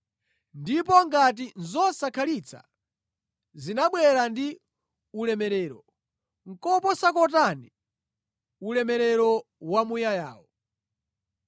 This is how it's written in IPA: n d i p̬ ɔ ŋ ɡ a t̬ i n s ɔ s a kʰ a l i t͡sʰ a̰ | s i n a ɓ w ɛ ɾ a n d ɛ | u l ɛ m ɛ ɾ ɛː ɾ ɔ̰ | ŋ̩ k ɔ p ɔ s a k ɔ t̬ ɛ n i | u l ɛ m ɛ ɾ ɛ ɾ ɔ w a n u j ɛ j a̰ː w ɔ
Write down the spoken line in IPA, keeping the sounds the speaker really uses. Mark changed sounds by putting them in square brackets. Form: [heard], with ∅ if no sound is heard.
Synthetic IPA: n d i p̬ ɔ ŋ ɡ a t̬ i n [z] ɔ s a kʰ a l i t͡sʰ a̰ | [z] i n a ɓ w ɛ ɾ a n d [i] | u l ɛ m ɛ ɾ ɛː ɾ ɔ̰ | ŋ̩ k ɔ p ɔ s a k ɔ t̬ [a] n i | u l ɛ m ɛ ɾ ɛ ɾ ɔ w a [m] u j [a] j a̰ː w ɔ